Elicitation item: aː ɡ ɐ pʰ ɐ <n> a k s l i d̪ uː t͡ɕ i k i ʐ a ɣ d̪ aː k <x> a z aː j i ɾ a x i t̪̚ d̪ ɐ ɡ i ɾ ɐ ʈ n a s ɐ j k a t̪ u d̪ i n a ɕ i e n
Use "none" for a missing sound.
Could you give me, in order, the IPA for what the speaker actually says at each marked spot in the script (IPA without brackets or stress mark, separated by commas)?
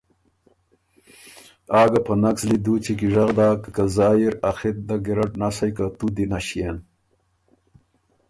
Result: n, k